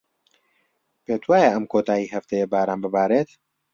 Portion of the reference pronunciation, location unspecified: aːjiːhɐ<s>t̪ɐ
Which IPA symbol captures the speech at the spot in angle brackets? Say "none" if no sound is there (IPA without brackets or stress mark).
f